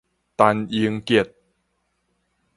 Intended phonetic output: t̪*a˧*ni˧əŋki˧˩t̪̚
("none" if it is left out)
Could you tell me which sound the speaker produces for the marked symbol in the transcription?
a˧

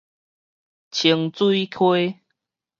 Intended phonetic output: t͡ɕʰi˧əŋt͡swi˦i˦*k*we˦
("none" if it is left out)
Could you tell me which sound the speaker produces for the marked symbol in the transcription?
kʰ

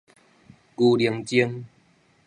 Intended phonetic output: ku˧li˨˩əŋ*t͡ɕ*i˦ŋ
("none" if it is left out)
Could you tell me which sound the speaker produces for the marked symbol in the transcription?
t͡ɕ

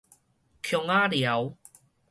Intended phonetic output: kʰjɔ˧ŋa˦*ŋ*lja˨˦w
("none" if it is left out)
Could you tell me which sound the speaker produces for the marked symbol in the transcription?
none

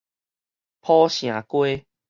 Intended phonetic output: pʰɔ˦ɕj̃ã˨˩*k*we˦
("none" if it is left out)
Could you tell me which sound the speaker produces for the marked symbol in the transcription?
k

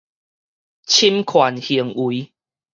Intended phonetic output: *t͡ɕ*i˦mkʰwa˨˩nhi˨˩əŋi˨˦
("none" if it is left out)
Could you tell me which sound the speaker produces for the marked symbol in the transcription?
t͡ɕʰ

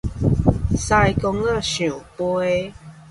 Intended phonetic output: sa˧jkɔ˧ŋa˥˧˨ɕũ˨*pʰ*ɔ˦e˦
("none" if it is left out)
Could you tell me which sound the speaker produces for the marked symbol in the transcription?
p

